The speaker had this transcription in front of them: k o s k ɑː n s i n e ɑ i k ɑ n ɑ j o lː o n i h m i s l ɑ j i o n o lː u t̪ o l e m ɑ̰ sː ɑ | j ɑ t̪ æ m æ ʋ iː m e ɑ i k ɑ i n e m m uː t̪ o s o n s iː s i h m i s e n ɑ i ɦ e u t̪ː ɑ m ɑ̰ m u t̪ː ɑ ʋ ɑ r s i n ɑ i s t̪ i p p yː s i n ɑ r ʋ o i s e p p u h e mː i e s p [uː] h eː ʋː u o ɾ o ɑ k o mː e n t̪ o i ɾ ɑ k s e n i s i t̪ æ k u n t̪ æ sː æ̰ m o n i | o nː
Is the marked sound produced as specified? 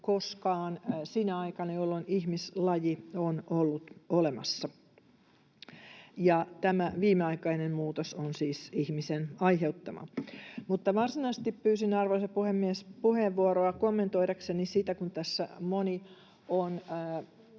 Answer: no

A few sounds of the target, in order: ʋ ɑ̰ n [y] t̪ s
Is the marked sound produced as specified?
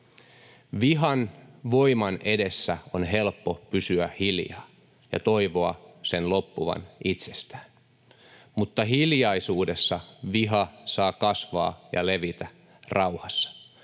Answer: no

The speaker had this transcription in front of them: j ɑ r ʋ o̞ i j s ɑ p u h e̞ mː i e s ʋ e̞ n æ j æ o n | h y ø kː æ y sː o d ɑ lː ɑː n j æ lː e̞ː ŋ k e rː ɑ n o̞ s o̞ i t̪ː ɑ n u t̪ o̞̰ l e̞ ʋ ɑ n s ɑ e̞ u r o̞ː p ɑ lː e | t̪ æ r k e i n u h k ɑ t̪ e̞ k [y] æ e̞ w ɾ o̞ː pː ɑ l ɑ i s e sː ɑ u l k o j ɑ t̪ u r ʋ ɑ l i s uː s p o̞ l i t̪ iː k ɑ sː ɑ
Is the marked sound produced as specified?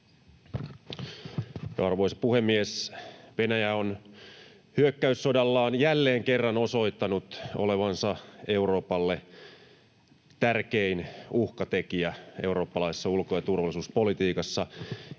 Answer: no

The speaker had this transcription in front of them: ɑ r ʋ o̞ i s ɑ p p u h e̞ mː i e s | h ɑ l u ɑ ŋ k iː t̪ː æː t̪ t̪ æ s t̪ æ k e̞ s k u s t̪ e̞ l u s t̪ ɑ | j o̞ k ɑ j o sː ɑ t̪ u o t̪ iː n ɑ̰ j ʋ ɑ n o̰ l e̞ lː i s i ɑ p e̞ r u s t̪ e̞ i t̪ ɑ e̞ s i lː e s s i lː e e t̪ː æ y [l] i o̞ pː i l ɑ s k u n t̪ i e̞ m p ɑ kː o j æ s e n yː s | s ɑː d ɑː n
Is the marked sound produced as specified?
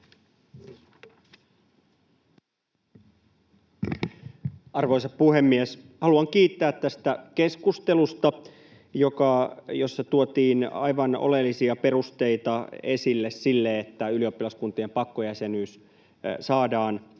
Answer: yes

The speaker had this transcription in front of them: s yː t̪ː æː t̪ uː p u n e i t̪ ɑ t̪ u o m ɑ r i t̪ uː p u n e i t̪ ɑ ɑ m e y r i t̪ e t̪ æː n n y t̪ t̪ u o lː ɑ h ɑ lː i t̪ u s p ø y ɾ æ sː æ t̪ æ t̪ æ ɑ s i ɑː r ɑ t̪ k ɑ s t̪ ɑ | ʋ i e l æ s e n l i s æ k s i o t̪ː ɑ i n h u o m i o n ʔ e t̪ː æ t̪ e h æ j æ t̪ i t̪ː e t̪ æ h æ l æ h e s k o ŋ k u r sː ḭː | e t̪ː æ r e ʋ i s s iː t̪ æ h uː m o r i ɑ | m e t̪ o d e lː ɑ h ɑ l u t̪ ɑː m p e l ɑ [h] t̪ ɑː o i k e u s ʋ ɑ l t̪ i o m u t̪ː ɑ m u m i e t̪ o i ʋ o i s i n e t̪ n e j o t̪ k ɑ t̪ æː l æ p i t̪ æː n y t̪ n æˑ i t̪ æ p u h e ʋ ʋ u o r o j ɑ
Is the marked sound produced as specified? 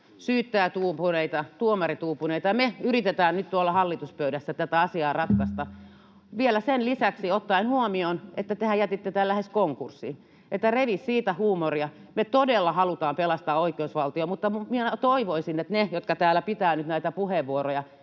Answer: no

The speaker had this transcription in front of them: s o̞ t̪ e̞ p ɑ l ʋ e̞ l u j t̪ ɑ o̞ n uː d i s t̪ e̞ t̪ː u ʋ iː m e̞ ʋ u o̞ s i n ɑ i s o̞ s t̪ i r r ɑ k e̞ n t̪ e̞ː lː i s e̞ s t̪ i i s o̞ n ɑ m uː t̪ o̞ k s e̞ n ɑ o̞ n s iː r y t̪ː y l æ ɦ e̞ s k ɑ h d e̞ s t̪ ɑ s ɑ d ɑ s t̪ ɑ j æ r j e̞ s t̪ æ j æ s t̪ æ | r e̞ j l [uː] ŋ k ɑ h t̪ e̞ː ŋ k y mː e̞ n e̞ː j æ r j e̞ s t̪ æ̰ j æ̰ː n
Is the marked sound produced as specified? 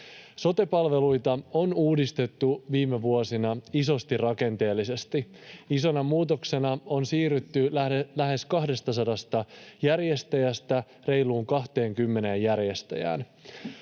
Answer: yes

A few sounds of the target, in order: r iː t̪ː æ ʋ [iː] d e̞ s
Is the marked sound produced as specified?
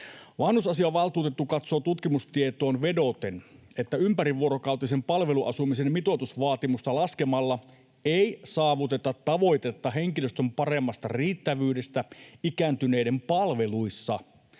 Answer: no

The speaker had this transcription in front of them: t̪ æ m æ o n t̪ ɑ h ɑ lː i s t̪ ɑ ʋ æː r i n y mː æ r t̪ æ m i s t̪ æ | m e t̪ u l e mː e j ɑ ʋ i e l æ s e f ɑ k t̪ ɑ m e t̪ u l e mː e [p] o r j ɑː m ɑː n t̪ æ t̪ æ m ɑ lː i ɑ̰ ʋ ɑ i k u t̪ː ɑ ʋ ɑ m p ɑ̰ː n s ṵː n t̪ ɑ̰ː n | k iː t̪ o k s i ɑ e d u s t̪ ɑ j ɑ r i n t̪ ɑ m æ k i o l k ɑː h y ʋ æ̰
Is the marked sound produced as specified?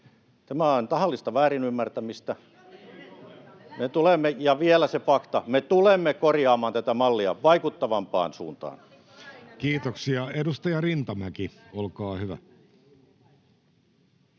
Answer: no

